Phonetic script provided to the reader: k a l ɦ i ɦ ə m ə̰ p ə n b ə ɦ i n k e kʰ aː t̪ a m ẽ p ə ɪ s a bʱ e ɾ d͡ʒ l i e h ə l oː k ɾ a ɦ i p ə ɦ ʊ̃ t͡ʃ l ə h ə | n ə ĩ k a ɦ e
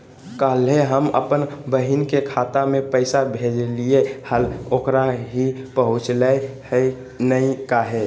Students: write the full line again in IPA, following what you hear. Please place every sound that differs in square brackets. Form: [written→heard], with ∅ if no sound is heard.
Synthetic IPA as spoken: k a l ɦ [i→e] ɦ ə m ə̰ p ə n b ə ɦ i n k e kʰ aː t̪ a m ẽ p ə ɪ s a bʱ e [ɾ→∅] d͡ʒ l i e h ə l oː k ɾ a ɦ i p ə ɦ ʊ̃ t͡ʃ l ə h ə | n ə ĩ k a ɦ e